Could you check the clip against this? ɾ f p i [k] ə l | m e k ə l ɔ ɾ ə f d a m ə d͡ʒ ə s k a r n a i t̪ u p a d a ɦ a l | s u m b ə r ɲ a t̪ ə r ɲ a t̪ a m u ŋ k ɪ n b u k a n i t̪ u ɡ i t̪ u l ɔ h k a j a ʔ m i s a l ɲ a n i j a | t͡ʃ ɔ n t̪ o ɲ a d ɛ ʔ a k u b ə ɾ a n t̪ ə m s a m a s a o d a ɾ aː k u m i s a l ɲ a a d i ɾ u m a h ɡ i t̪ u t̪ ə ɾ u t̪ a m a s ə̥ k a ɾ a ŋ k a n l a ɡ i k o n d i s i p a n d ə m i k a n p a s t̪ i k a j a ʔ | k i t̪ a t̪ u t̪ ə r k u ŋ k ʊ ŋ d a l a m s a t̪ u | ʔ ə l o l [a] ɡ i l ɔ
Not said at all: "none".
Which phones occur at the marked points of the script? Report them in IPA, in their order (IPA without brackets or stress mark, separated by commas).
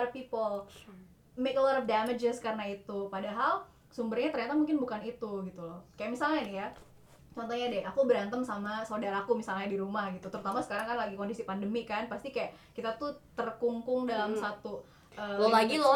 p, a